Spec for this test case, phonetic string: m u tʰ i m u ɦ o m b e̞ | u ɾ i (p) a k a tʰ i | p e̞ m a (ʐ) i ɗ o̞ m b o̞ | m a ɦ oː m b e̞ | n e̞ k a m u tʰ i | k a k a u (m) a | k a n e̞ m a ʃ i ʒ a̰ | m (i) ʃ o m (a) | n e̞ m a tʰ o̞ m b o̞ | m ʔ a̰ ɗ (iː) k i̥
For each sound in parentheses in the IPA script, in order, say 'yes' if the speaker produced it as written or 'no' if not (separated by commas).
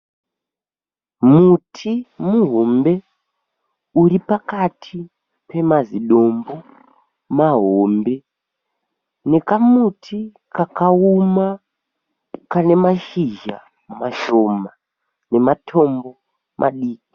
yes, no, yes, no, yes, yes